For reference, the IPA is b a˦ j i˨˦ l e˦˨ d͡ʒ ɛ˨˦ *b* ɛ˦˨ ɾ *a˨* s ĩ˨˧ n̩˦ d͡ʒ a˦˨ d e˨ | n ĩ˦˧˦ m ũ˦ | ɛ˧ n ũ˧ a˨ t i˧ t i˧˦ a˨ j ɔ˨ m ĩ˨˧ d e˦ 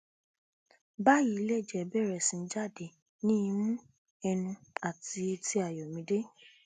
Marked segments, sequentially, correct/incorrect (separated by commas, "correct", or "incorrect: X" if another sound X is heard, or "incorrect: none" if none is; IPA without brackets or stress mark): correct, incorrect: ɛ˨